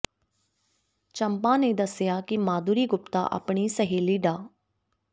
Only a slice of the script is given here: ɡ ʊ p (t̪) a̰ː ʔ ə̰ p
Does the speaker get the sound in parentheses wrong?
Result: no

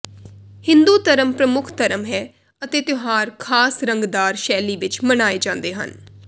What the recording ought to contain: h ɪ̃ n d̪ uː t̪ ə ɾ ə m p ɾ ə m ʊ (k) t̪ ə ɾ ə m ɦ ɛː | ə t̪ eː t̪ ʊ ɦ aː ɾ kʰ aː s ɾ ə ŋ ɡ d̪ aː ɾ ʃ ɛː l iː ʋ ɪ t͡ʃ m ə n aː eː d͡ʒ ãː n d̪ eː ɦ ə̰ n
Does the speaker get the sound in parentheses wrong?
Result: yes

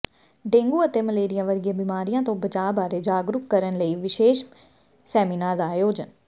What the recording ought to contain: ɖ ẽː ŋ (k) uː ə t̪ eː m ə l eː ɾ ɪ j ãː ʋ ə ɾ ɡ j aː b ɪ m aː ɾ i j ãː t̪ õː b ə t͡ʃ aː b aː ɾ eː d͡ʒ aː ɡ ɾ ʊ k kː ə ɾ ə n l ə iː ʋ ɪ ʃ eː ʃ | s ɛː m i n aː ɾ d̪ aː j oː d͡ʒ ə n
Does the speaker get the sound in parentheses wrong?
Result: yes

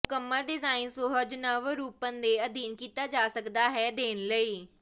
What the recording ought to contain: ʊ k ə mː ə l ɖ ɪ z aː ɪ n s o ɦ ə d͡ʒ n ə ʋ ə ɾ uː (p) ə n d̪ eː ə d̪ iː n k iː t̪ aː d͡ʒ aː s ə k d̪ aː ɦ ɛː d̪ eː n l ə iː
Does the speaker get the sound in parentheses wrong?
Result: no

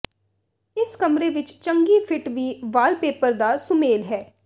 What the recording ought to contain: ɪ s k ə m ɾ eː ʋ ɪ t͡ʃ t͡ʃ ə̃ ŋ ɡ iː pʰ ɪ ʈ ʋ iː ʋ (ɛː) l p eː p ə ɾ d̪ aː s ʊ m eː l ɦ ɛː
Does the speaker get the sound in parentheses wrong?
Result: yes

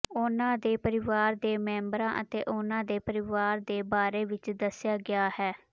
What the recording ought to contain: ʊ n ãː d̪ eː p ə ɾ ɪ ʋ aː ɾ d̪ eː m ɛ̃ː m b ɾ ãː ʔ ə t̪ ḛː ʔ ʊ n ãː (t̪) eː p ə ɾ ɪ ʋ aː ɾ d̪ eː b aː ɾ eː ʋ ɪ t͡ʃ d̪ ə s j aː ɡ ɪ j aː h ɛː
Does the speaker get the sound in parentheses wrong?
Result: yes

